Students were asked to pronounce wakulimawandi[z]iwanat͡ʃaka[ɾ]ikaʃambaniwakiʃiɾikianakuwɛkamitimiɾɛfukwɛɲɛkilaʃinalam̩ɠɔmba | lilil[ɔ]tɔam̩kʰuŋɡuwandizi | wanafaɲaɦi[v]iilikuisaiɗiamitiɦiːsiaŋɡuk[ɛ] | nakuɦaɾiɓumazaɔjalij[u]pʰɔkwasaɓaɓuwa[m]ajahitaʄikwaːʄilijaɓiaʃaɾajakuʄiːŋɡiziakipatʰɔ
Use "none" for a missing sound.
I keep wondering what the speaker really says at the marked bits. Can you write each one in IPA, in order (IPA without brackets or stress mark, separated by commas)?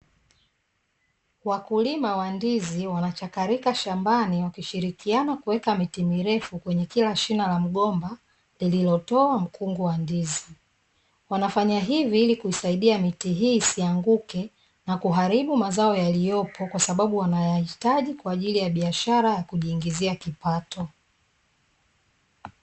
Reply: z, ɾ, ɔ, v, ɛ, ɔ, n